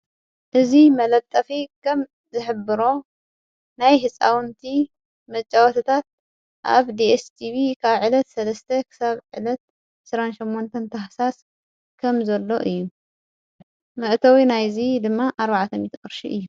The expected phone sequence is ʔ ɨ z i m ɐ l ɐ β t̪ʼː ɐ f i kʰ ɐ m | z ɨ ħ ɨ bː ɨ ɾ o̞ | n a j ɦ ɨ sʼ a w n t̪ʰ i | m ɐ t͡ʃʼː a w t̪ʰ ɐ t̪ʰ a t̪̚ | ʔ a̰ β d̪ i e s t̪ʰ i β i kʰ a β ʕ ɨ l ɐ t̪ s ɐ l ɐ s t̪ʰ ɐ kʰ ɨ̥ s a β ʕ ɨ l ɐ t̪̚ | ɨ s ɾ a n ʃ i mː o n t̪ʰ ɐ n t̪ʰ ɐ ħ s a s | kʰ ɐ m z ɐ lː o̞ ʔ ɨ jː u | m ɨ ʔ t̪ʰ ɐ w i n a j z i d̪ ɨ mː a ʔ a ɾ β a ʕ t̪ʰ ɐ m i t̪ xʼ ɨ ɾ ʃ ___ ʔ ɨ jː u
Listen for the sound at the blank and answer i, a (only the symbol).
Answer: i